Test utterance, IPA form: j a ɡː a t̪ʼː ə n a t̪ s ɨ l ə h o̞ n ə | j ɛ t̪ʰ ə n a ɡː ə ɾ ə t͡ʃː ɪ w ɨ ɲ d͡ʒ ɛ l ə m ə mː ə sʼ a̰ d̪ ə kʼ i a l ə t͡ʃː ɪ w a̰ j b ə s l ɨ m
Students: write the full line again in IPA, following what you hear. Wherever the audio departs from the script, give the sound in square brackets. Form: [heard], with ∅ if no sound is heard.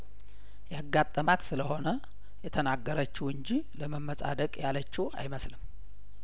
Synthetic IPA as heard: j a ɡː a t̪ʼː ə [m] a t̪ s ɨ l ə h o̞ n ə | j ɛ t̪ʰ ə n a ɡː ə ɾ ə t͡ʃː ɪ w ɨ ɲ d͡ʒ [i] l ə m ə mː ə sʼ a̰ d̪ ə kʼ [j] a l ə t͡ʃː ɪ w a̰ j [m] ə s l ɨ m